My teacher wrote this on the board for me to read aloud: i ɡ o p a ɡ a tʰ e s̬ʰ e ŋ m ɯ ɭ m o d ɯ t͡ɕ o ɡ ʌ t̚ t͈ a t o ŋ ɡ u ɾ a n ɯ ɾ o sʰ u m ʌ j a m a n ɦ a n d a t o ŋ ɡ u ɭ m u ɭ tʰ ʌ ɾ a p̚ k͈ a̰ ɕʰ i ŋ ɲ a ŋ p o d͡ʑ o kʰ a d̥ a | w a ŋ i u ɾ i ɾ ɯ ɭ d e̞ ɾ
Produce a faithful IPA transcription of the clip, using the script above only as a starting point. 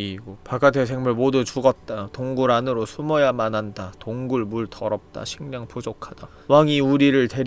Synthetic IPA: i ɡ o p a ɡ a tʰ e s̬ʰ e ŋ m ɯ ɭ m o d u t͡ɕ u ɡ ʌ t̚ t͈ a t o ŋ ɡ u ɾ a n ɯ ɾ o sʰ u m ʌ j a m a n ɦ a n d a t o ŋ ɡ u ɭ m u ɭ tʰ ʌ ɾ ʌ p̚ t͈ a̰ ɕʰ i ŋ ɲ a ŋ p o d͡ʑ o kʰ a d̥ a | w a ŋ i u ɾ i ɾ ɯ ɭ t e̞ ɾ

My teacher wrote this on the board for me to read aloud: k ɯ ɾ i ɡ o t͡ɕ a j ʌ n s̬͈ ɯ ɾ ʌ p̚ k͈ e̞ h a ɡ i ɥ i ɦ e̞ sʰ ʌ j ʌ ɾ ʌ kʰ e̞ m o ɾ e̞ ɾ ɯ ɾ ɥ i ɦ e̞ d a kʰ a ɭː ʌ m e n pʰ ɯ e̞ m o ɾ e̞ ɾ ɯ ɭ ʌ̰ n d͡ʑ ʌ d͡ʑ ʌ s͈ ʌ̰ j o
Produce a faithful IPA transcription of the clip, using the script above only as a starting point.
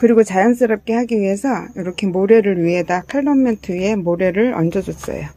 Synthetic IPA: k ɯ ɾ i ɡ o t͡ɕ a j ʌ n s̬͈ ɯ ɾ ʌ p̚ k͈ e̞ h a ɡ i ɥ i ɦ e̞ sʰ ʌ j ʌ ɾ ʌ kʰ e̞ m o ɾ e̞ ɾ ɯ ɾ ɥ i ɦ e̞ d a kʰ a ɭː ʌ m e n tʰ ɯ e̞ m o ɾ e̞ ɾ ɯ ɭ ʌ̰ n d͡ʑ ʌ d͡ʑ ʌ s͈ ʌ̰ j o

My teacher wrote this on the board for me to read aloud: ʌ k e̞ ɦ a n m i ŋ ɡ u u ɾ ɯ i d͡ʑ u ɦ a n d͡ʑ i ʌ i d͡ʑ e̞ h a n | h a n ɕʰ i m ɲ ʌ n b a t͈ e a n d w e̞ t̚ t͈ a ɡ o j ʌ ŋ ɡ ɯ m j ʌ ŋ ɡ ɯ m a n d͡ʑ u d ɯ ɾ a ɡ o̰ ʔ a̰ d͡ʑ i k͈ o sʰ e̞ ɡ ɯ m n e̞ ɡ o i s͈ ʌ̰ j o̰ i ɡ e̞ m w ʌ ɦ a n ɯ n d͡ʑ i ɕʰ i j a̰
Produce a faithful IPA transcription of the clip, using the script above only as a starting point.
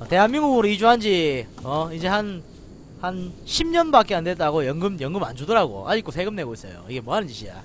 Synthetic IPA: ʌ t e̞ ɦ a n m i ŋ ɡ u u ɾ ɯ i d͡ʑ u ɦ a n d͡ʑ i ʌ i d͡ʑ e̞ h a n | h a n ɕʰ i m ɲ ʌ n b a k͈ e a n d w e̞ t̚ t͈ a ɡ o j ʌ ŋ ɡ ɯ m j ʌ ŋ ɡ ɯ m a n d͡ʑ u d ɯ ɾ a ɡ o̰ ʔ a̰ d͡ʑ i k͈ o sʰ e̞ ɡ ɯ m n e̞ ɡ o i s͈ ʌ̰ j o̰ i ɡ e̞ m w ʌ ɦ a n ɯ n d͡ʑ i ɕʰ i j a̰

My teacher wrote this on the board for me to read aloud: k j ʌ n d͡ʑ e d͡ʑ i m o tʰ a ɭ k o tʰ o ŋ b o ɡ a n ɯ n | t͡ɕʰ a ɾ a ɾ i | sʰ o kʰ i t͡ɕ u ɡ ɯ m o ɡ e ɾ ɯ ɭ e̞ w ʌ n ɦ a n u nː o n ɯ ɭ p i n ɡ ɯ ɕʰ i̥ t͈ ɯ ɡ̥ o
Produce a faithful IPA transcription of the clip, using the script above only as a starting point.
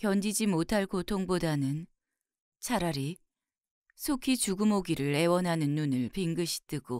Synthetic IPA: k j ʌ n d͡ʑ i d͡ʑ i m o tʰ a ɭ k o tʰ o ŋ b o d a n ɯ n | t͡ɕʰ a ɾ a ɾ i | sʰ o kʰ i t͡ɕ u ɡ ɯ m o ɡ i ɾ ɯ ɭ e̞ w ʌ n ɦ a n ɯ nː u n ɯ ɭ p i ŋ ɡ ɯ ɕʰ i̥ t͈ ɯ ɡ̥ o

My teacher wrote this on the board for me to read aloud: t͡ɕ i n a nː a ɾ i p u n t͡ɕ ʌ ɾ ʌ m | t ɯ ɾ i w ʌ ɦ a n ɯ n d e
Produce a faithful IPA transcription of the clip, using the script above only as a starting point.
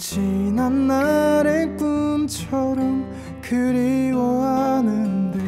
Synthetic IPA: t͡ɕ i n a nː a ɾ e p u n t͡ɕʰ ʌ ɾ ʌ m | k ɯ ɾ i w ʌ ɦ a n ɯ n d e

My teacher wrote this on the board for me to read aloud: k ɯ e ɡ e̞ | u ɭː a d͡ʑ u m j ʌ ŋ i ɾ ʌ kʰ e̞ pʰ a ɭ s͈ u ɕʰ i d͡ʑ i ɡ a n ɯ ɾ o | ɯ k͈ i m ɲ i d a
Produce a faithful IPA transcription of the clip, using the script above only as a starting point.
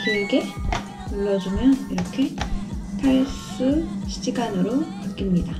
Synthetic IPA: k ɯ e ɡ e̞ | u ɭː ʌ d͡ʑ u m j ʌ n i ɾ ʌ kʰ e̞ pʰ a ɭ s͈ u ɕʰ i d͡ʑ i ɡ a n ɯ ɾ o | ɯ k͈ i m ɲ i d a

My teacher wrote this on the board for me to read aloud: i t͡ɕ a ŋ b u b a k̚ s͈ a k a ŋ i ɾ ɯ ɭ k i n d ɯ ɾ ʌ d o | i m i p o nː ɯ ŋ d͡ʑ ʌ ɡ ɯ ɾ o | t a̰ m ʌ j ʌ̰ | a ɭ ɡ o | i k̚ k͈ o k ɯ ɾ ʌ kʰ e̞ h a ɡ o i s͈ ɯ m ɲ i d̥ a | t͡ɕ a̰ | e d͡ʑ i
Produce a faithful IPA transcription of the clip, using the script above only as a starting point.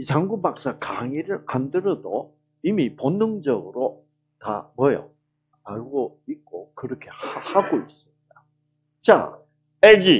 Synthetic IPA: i t͡ɕ a ŋ ɡ u b a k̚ s͈ a k a ŋ i ɾ ɯ ɭ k a n d ɯ ɾ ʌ d o | i m i p o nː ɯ ŋ d͡ʑ ʌ ɡ ɯ ɾ o | t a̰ m ʌ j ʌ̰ | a ɭ ɡ o | i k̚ k͈ o k ɯ ɾ ʌ kʰ e̞ h a ɡ o i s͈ ɯ m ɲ i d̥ a | t͡ɕ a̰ | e d͡ʑ i

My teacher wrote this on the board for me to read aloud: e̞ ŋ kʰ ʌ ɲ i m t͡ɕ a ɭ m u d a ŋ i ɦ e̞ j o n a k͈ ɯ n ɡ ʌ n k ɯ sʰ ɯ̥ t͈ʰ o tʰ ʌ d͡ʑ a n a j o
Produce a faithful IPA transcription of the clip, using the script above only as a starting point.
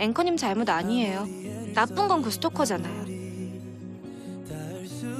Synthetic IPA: e̞ ŋ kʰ ʌ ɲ i m t͡ɕ a ɭ m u d a ɲ i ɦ e̞ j o n a p͈ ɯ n ɡ ʌ n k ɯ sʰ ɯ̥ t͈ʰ o kʰ ʌ d͡ʑ a n a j o

